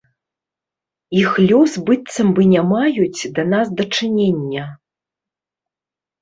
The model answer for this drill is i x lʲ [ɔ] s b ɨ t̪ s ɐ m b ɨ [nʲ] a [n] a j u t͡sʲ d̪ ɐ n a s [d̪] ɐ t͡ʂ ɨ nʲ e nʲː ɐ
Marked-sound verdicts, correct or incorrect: correct, correct, incorrect, correct

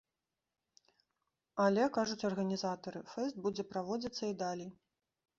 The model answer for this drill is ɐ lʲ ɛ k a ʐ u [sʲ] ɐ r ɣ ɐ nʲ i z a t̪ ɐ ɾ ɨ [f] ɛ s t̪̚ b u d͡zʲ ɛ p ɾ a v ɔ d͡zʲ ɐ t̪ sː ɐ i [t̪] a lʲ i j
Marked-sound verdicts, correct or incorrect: incorrect, correct, incorrect

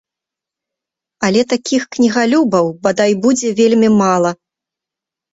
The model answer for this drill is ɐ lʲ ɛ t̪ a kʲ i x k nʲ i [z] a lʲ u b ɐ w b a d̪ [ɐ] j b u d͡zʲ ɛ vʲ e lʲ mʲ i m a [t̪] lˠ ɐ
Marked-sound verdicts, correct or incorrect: incorrect, incorrect, incorrect

